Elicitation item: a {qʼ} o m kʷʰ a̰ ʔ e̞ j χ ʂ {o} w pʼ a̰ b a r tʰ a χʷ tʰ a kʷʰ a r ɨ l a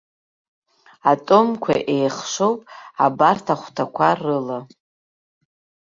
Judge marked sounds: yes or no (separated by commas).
no, yes